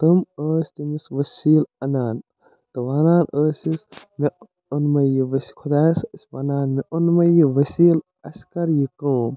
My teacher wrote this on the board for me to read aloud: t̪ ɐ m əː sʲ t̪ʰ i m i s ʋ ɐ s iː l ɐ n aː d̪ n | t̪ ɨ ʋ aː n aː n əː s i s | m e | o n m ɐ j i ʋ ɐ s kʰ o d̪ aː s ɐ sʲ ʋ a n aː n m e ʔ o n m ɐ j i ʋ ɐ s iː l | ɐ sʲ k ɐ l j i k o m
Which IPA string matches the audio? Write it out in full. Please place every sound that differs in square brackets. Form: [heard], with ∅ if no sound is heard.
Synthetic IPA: t̪ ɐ m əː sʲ [t̪] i m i s ʋ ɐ s iː l ɐ n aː [∅] n | t̪ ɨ ʋ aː n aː n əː s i s | m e | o n m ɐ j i ʋ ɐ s kʰ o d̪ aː s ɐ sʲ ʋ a n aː n m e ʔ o n m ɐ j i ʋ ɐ s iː l | ɐ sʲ k ɐ [ɾ] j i k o m